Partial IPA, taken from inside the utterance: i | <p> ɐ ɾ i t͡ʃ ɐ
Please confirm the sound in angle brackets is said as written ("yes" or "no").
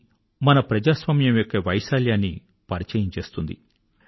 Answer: yes